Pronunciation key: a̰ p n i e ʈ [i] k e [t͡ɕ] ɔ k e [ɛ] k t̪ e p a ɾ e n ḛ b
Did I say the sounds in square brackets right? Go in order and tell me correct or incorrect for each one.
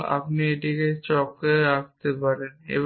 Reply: correct, correct, incorrect

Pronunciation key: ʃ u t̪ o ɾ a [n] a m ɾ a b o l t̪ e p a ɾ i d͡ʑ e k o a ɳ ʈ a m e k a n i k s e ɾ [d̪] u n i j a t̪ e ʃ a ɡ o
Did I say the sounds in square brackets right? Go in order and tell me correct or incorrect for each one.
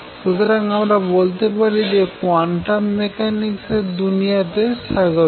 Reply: incorrect, correct

